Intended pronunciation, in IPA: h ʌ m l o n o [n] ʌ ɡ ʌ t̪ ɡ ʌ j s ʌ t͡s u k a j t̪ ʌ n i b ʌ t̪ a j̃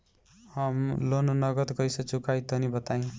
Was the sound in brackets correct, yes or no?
yes